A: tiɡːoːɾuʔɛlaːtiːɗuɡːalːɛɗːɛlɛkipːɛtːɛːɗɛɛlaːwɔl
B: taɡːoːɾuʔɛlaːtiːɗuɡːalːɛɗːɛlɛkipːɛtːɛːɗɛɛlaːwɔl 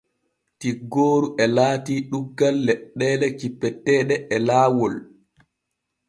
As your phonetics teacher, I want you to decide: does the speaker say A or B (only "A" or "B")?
A